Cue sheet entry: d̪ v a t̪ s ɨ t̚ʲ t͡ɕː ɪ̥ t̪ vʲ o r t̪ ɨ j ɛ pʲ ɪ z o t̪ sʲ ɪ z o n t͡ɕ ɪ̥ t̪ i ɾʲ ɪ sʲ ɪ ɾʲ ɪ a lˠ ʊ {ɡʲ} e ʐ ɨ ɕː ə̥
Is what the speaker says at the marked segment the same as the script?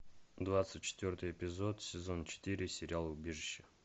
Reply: no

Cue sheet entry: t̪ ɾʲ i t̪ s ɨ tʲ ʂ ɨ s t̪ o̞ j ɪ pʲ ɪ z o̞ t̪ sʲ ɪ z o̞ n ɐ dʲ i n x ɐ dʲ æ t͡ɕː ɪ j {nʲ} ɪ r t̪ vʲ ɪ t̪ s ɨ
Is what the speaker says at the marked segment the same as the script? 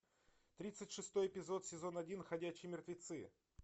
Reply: no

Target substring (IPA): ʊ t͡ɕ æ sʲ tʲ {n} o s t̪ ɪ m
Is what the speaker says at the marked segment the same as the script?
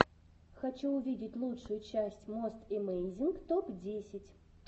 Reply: no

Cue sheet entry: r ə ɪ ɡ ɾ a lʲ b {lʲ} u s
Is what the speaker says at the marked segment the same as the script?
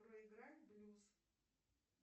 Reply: yes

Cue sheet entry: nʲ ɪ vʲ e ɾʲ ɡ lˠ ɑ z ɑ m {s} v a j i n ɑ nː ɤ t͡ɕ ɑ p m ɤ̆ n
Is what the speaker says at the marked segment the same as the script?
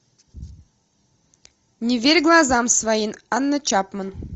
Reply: yes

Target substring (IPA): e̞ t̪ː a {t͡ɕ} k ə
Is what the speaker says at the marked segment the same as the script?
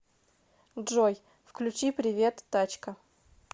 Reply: yes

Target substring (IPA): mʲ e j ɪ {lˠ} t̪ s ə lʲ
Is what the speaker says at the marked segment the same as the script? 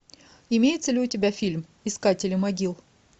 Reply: no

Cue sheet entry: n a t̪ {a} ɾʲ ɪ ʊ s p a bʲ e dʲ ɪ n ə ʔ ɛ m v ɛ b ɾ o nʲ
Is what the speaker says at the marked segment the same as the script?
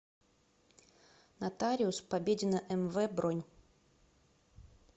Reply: yes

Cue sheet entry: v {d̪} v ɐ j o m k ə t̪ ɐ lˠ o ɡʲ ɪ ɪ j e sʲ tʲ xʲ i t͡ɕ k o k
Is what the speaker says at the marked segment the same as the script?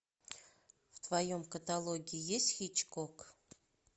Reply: no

